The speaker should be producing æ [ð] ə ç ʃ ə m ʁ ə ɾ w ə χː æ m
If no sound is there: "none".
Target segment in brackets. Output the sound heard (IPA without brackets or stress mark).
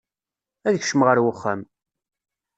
ð